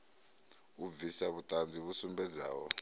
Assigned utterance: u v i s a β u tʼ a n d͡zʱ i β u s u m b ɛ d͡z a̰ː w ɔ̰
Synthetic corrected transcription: u v i s a β u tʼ a n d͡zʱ i β u s u m b ɛ d͡z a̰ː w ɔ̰